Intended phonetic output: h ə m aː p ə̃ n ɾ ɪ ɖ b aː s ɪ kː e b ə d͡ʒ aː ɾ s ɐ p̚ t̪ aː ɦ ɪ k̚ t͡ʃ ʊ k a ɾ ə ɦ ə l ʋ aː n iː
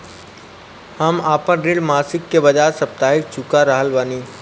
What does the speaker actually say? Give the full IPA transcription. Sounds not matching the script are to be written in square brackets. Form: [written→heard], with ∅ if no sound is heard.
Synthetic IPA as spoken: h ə m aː p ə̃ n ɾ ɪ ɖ [b→m] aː s ɪ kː e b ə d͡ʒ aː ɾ s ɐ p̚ t̪ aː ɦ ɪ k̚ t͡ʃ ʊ k a ɾ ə ɦ ə l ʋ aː n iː